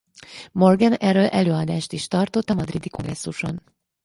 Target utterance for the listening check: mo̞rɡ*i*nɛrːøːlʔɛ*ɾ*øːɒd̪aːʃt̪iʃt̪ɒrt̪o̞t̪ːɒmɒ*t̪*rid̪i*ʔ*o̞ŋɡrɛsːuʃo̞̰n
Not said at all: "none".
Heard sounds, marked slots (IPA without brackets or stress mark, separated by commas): ɛ, l, d̪, k